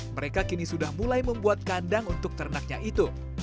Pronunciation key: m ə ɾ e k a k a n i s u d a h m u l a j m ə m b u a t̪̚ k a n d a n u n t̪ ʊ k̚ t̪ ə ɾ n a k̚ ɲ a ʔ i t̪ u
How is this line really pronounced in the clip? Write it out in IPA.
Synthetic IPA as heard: m ə ɾ e k a k i n i s u d a h m u l a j m ə m b u a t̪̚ k a n d a ŋ u n t̪ ʊ k̚ t̪ ə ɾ n a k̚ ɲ a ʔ i t̪ u